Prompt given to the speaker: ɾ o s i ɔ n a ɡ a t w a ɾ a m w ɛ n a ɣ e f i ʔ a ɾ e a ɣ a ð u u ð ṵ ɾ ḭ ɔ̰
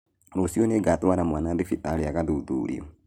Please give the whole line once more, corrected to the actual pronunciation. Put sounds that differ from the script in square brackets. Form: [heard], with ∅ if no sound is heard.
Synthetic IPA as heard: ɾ o s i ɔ n [e] ɡ a t w a ɾ a m w [a] n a [ð] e f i [t] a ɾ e a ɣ a ð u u ð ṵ ɾ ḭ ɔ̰